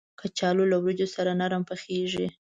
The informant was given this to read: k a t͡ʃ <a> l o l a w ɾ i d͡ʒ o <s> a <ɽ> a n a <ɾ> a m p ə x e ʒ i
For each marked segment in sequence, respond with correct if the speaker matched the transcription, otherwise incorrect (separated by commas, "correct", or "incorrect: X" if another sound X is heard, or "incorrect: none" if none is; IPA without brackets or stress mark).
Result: incorrect: ɑ, correct, incorrect: ɾ, correct